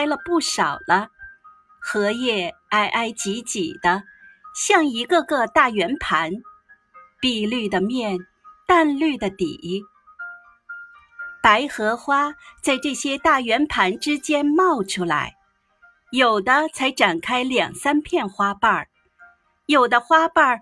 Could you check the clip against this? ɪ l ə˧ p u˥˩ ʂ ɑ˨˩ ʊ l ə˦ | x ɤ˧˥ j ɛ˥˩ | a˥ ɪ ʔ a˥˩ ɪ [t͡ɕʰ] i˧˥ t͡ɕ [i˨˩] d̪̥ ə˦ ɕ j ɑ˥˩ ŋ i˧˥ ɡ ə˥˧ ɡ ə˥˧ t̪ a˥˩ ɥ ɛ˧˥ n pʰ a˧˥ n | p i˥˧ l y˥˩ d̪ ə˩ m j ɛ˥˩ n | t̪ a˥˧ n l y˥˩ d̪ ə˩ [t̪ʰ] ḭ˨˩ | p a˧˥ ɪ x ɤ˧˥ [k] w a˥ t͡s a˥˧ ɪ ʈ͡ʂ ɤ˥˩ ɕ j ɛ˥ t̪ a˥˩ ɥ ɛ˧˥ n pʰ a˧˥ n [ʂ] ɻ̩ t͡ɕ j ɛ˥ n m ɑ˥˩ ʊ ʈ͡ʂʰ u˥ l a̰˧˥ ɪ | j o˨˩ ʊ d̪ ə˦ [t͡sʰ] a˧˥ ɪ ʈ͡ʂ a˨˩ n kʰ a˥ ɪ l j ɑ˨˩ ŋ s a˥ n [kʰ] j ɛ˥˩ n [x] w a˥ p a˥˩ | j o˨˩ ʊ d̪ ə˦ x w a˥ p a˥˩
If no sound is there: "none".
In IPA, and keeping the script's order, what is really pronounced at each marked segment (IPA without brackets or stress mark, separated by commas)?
t͡ɕ, i˨˩, t̪, x, ʈ͡ʂ, t͡sʰ, pʰ, x